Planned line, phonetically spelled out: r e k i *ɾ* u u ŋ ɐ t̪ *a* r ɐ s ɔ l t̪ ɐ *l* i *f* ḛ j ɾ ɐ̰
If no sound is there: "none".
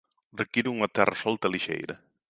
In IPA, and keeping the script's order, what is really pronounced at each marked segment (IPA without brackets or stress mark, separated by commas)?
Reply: ɾ, ɛ, l, ʃ